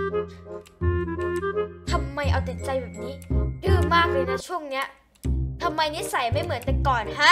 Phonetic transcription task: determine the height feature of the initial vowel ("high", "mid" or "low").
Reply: low